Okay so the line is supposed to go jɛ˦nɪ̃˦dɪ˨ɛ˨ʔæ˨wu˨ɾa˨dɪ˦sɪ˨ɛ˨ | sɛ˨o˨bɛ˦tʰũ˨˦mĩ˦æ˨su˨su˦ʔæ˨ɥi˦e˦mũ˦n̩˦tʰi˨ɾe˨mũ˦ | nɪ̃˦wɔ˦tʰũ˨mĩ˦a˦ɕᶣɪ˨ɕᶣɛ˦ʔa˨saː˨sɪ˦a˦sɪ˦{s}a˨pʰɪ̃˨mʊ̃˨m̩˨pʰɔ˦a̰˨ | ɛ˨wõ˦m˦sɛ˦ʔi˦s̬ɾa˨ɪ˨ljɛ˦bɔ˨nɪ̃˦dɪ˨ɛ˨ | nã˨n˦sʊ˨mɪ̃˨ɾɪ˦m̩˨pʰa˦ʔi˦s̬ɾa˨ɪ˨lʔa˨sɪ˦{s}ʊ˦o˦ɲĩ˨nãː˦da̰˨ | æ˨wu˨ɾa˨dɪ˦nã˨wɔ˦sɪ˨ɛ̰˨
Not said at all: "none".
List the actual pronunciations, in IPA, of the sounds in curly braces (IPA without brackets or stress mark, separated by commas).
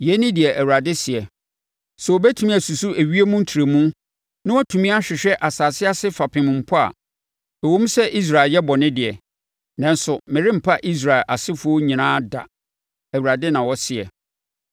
f, f